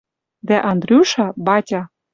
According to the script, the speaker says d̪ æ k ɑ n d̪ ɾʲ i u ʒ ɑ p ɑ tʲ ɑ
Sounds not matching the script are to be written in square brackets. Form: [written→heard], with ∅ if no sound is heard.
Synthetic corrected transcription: d̪ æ [k→ʔ] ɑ n d̪ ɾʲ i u [ʒ→ʃ] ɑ [p→b] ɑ tʲ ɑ